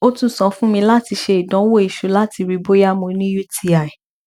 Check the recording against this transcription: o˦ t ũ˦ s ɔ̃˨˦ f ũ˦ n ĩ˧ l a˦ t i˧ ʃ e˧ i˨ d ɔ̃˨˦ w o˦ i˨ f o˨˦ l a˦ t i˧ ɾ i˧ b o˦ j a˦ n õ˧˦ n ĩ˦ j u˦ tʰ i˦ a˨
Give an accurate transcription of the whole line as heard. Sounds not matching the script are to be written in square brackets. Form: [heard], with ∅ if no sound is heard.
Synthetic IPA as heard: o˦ t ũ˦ s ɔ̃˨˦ f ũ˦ [m] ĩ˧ l a˦ t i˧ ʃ e˧ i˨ d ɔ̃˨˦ w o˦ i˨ [ʃ] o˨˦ l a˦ t i˧ ɾ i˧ b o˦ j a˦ [m] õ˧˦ n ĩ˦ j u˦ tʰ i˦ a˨